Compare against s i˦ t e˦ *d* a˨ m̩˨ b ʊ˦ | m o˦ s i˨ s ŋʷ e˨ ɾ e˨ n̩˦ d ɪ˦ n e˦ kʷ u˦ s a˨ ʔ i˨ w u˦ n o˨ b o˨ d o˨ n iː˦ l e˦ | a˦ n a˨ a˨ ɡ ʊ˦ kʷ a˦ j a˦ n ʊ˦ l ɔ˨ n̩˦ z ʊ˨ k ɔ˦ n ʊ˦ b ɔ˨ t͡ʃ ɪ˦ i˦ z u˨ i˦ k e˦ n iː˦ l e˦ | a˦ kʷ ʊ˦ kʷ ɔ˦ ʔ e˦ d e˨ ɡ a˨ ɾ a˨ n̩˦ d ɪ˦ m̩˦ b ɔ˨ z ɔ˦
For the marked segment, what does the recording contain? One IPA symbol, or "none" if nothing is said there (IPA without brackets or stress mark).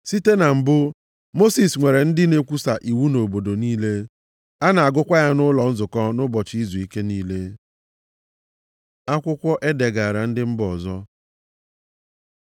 n